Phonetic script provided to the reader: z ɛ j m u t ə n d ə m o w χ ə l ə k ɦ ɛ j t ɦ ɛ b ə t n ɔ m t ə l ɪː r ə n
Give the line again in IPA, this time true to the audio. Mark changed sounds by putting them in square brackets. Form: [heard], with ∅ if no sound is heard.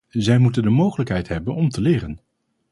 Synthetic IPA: z ɛ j m u t ə n d ə m o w χ ə l ə k ɦ ɛ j t ɦ ɛ b ə [∅] n ɔ m t ə l ɪː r ə n